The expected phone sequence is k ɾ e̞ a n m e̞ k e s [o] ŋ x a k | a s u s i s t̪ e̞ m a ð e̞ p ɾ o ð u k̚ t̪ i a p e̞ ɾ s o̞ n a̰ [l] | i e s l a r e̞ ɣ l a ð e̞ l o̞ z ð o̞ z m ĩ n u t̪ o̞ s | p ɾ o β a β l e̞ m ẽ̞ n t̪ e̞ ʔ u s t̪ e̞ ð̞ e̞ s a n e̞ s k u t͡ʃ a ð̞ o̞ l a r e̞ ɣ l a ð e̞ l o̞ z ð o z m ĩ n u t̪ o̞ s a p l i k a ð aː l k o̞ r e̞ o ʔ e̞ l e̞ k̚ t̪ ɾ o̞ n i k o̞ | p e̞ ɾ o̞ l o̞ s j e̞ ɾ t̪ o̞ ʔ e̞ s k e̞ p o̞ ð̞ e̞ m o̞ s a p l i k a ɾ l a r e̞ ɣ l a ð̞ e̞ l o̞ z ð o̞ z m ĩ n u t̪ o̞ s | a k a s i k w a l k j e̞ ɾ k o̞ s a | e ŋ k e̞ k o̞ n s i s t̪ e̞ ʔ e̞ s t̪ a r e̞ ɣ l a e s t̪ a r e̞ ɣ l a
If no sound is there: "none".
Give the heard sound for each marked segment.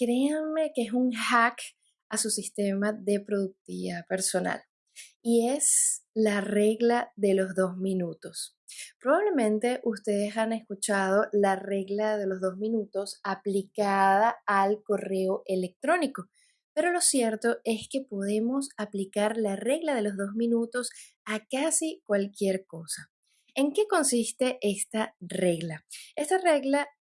u, l

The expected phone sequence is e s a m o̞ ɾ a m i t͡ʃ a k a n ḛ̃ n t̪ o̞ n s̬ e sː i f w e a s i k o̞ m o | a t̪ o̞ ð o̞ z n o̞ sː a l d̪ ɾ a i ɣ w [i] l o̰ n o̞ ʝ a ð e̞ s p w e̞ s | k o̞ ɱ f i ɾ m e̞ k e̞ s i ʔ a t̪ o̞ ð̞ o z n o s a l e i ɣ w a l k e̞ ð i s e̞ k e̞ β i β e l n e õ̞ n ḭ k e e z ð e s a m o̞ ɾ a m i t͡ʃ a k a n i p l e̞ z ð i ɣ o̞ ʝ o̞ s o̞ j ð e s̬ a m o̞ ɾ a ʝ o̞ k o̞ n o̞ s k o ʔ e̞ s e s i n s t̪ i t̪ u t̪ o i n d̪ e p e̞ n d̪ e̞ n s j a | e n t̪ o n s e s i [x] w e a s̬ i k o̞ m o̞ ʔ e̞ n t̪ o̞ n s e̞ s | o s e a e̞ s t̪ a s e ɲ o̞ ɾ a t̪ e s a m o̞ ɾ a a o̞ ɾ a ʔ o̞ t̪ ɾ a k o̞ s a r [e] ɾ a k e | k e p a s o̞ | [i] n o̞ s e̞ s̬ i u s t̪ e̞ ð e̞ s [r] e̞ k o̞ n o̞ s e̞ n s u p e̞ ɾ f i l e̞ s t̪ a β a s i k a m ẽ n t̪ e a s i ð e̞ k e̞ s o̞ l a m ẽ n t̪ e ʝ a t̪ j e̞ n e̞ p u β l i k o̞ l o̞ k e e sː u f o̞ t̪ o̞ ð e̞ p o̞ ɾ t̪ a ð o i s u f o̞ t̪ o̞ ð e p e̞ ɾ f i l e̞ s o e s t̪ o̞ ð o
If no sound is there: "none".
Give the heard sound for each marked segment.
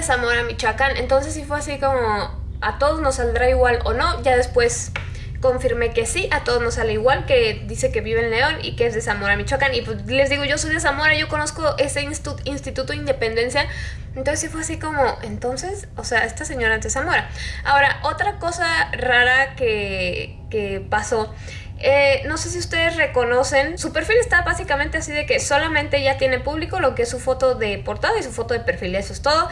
a, f, a, e, r

